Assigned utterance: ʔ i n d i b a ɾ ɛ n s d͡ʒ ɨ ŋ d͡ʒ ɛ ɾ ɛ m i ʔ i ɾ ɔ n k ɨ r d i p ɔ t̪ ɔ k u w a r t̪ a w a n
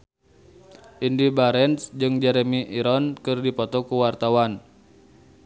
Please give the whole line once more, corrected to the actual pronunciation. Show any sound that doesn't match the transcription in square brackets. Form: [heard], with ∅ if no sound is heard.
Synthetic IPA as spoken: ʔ i n d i b a ɾ ɛ n s d͡ʒ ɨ ŋ d͡ʒ ɛ ɾ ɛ m i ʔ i ɾ ɔ n k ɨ r d i p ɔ t̪ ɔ k u w a r t̪ a w a n